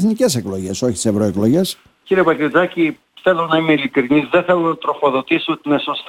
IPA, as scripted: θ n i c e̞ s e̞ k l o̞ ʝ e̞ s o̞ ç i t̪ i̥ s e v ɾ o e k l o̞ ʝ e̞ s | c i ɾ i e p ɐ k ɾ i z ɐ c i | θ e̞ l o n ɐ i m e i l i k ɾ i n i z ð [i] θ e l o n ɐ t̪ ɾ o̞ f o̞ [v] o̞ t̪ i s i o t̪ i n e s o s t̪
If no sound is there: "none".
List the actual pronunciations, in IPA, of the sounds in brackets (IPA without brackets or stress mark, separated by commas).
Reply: e, ð